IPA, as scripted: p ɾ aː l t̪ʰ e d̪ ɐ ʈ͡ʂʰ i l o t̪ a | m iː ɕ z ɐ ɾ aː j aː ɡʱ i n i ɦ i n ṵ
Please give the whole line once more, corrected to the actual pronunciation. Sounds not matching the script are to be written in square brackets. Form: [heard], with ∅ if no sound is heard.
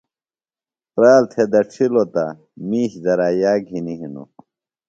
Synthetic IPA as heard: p ɾ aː l t̪ʰ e d̪ ɐ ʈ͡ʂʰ i l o t̪ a | m iː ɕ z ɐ ɾ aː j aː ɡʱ i n i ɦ i n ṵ